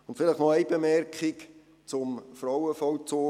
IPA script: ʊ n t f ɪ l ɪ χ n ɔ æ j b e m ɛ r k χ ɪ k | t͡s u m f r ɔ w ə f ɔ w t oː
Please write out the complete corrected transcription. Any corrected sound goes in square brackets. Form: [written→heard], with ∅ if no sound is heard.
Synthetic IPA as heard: ʊ n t f ɪ l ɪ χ n ɔ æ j b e m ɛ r k χ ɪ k | t͡s [u→ʊ] m f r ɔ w ə f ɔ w [t→t͡s] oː

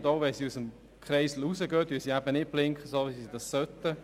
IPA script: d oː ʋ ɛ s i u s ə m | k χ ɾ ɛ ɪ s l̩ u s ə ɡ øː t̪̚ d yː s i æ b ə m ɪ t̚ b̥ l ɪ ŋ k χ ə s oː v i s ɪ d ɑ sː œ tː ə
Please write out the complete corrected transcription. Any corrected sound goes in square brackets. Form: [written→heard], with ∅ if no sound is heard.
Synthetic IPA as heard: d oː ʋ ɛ s i u s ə m | k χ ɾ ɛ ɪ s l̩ u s ə ɡ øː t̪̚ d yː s i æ b ə [m→n] ɪ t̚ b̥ l ɪ ŋ k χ ə s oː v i s [ɪ→i] d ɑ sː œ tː ə

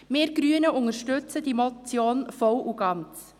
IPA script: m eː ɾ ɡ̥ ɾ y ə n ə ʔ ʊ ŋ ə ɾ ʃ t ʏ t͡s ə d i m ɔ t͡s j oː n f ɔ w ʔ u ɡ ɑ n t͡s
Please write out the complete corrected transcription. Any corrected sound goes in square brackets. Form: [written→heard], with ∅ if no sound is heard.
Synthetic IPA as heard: m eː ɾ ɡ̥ ɾ y ə n ə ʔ ʊ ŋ ə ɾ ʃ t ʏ t͡s ə d i m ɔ t͡s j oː n f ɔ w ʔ u ɡ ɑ n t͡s

